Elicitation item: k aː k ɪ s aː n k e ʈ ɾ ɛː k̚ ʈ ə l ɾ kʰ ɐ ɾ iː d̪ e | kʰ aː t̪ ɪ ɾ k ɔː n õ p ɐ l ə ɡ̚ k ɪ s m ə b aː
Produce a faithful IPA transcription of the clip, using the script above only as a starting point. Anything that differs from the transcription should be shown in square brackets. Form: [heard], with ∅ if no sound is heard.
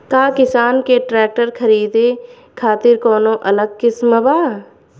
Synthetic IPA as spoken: k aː k ɪ s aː n k e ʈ ɾ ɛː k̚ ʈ ə [∅] ɾ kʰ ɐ ɾ iː d̪ e | kʰ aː t̪ ɪ ɾ k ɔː n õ [ʔ] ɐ l ə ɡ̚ k ɪ s m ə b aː